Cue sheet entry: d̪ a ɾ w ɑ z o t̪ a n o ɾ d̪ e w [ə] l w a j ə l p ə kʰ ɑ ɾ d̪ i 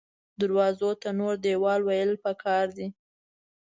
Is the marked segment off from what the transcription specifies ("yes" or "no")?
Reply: yes